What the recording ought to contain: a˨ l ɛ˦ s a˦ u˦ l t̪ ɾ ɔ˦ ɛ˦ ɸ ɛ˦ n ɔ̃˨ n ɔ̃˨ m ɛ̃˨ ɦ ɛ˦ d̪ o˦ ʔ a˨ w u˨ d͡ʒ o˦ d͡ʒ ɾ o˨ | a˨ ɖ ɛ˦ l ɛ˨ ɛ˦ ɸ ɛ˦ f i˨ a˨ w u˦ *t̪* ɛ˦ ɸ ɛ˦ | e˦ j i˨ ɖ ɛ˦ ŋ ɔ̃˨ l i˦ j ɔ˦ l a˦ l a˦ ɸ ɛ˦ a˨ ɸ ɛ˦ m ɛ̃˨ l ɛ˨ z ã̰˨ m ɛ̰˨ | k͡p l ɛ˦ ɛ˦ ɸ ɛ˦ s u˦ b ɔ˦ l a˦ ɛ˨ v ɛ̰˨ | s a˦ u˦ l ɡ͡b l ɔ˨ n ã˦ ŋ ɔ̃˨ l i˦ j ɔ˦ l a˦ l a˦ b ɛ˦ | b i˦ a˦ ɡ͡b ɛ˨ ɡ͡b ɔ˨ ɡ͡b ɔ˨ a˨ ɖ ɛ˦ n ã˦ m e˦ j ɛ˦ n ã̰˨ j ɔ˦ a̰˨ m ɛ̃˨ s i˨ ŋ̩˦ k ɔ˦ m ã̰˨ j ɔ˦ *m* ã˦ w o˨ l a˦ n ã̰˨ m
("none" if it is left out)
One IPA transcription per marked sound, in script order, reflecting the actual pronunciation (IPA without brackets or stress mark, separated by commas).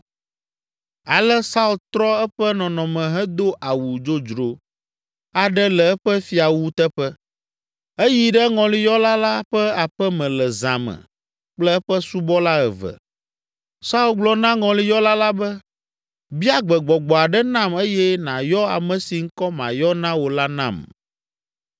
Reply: t̪, n